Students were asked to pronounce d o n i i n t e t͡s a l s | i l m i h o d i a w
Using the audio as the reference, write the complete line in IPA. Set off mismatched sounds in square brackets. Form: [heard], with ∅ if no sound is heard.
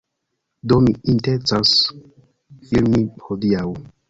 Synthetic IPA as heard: d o [m] i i n t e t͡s a [∅] s | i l m i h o d i a w